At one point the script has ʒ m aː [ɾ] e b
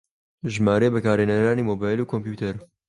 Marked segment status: correct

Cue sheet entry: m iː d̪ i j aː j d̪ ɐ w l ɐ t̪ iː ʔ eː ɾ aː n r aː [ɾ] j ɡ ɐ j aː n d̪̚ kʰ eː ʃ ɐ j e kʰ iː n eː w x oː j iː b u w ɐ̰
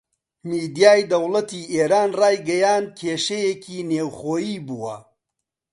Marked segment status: incorrect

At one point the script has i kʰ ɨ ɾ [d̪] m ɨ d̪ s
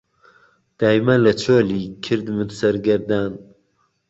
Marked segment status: correct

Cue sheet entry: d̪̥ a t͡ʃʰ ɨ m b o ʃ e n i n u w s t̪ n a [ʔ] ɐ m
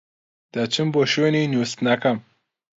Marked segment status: incorrect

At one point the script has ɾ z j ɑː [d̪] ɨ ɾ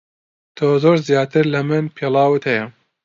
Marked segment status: incorrect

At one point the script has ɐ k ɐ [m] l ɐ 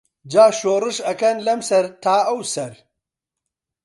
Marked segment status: incorrect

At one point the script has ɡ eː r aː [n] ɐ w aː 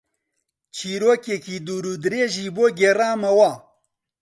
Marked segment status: incorrect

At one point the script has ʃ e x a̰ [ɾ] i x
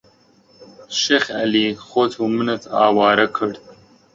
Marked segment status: incorrect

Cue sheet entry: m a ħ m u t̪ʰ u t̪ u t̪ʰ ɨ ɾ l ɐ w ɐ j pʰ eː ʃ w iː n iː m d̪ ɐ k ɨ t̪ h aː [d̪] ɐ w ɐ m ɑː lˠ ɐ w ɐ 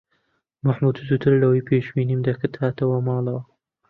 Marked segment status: incorrect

